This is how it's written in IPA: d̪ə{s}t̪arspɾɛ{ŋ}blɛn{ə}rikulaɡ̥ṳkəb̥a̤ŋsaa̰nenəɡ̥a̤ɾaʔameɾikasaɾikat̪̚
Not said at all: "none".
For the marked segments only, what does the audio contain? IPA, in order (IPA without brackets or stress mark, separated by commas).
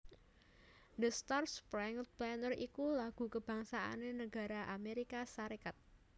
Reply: s, ŋ, ə